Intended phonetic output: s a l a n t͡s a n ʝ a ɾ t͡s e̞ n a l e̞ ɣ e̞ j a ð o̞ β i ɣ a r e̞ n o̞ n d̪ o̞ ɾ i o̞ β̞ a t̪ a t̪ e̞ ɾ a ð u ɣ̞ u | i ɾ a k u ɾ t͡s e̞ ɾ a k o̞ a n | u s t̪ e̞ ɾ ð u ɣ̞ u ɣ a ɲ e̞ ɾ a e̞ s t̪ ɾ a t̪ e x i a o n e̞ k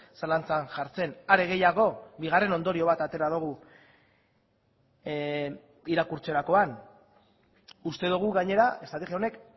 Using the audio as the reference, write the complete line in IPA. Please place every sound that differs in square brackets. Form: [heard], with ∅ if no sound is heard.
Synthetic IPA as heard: s a l a n t͡s a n ʝ a ɾ t͡s e̞ n a [ɾ] e̞ ɣ e̞ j a [ɣ] o̞ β i ɣ a r e̞ n o̞ n d̪ o̞ ɾ i o̞ β̞ a t̪ a t̪ e̞ ɾ a ð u ɣ̞ u | i ɾ a k u ɾ t͡s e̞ ɾ a k o̞ a n | u s t̪ e̞ [∅] ð u ɣ̞ u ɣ a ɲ e̞ ɾ a e̞ s t̪ ɾ a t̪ e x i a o n e̞ k